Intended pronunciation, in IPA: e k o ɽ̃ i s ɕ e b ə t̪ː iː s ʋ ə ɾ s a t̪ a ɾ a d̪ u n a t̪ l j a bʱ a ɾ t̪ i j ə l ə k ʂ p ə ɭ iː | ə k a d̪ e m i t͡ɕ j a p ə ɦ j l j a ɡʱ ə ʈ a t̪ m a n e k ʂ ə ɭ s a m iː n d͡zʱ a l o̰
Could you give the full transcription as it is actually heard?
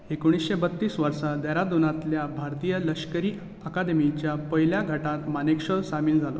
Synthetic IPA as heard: e k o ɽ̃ i s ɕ e b ə t̪ː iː s ʋ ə ɾ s a d̪ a ɾ a d̪ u n a t̪ l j a bʱ a ɾ t̪ i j ə l ə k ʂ k ə ɾ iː | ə k a d̪ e m i t͡ɕ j a p ə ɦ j l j a ɡʱ ə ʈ a t̪ m a n e k ʂ ə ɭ s a m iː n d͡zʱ a l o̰